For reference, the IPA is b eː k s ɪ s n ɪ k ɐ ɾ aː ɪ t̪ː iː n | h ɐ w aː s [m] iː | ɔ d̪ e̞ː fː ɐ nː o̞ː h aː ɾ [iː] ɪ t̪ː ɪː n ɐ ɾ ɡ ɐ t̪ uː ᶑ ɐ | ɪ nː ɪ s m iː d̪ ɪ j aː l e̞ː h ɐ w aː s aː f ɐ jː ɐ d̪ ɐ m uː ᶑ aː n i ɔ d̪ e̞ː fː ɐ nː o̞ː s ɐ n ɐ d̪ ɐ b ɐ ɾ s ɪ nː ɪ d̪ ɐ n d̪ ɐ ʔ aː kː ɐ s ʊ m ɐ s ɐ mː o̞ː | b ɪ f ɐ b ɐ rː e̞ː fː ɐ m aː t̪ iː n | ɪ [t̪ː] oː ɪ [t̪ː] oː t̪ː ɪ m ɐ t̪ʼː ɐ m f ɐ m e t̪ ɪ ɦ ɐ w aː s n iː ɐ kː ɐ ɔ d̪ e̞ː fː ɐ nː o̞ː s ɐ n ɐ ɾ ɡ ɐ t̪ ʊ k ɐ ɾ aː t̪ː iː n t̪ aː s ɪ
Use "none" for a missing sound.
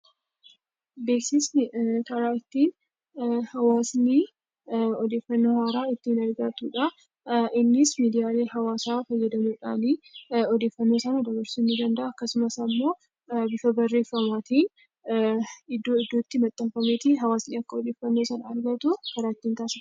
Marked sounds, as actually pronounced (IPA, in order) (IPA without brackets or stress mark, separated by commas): n, aː, d̪ː, d̪ː